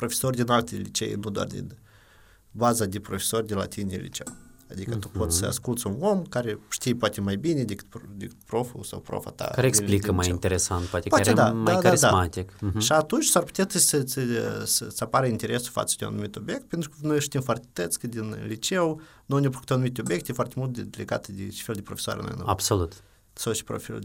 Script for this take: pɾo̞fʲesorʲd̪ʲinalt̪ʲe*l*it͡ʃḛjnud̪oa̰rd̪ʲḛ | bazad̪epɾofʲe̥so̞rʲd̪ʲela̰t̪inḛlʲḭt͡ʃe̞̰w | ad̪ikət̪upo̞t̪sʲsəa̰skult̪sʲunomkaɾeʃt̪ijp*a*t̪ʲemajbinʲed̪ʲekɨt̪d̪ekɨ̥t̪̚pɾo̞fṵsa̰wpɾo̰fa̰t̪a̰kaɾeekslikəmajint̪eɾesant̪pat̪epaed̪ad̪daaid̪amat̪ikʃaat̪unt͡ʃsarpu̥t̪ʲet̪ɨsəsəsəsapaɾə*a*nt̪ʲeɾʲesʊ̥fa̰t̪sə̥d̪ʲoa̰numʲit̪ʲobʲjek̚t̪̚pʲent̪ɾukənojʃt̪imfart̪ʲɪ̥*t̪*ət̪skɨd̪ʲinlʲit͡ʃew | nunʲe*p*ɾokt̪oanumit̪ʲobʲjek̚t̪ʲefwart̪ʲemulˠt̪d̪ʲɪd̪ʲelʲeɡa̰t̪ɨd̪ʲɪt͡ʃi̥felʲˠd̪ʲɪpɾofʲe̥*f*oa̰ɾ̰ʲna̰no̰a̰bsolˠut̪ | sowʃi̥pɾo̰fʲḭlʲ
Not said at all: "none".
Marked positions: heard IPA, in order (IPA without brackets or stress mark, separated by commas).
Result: l, a, i, t̪, p, s